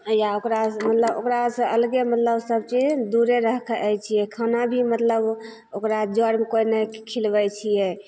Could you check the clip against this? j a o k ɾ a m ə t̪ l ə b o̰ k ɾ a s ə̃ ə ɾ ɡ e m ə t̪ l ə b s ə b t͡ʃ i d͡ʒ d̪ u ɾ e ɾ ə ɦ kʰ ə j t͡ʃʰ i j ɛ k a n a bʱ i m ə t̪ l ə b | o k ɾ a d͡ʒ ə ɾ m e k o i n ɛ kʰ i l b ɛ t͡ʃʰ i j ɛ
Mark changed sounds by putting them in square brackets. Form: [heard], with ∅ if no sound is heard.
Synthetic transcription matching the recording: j a o k ɾ a m ə t̪ l ə b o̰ k ɾ a s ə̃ ə [l] ɡ e m ə t̪ l ə b s ə b t͡ʃ i d͡ʒ d̪ u ɾ e ɾ ə ɦ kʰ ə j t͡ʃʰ i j ɛ [kʰ] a n a bʱ i m ə t̪ l ə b | o k ɾ a d͡ʒ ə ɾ m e k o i n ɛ kʰ i l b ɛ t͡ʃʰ i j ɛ